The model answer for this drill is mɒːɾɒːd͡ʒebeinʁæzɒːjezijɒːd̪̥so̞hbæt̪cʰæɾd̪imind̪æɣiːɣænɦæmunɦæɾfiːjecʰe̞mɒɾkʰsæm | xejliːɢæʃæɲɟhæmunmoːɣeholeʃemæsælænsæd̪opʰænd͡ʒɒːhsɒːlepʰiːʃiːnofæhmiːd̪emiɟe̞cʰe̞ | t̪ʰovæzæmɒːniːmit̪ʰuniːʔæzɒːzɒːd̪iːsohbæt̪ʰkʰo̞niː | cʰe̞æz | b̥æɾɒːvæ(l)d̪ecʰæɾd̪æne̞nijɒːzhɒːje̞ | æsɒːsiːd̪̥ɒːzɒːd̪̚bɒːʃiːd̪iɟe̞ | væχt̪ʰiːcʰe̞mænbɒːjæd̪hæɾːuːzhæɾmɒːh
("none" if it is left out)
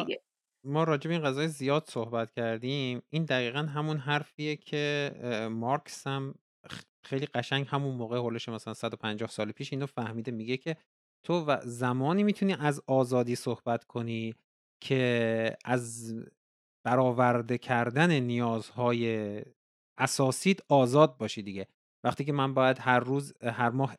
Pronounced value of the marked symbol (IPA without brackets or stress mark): ɾ